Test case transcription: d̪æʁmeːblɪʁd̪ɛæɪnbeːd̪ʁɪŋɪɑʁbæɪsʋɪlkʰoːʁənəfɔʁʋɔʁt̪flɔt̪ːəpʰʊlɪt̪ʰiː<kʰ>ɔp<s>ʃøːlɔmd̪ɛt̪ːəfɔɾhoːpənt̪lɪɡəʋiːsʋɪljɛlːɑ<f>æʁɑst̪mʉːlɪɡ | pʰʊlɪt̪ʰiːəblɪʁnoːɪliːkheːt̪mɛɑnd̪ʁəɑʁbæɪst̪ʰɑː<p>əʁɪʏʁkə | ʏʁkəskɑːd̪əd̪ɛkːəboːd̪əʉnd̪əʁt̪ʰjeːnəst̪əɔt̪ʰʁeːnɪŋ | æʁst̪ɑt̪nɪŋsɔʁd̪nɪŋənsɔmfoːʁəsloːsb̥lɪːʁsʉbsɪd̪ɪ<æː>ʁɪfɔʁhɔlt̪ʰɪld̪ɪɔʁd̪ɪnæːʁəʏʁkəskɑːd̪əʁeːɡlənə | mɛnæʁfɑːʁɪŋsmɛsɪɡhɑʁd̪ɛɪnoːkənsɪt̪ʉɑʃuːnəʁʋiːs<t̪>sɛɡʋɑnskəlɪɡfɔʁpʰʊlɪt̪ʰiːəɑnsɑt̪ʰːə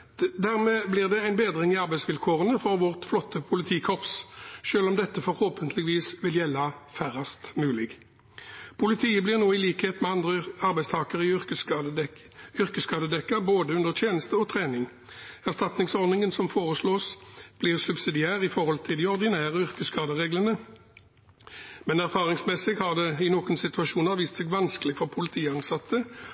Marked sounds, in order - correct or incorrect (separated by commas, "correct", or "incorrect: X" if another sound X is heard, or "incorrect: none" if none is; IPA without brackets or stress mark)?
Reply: correct, correct, correct, incorrect: k, correct, correct